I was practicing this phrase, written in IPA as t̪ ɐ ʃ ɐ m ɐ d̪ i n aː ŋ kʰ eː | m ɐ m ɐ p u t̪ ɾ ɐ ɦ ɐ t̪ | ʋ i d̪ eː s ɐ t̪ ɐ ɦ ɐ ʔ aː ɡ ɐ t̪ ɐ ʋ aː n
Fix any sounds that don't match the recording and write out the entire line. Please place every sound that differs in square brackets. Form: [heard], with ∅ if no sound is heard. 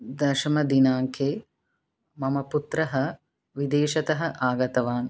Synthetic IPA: [d̪] ɐ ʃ ɐ m ɐ d̪ i n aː ŋ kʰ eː | m ɐ m ɐ p u t̪ ɾ ɐ ɦ ɐ [∅] | ʋ i d̪ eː [ʃ] ɐ t̪ ɐ ɦ ɐ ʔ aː ɡ ɐ t̪ ɐ ʋ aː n